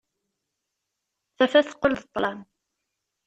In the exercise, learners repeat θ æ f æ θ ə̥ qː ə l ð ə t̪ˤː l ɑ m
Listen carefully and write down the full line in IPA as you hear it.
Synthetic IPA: θ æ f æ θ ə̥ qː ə l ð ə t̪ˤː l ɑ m